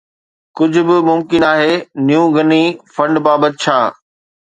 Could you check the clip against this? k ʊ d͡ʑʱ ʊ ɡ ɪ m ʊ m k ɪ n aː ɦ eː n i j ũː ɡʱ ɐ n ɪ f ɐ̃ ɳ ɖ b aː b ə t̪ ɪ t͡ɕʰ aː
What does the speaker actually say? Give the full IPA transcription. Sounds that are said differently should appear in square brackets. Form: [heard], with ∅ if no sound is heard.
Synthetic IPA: k ʊ d͡ʑʱ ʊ [b] ɪ m ʊ m k ɪ n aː ɦ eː n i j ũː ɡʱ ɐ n [i] f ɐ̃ ɳ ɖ b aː b ə t̪ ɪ t͡ɕʰ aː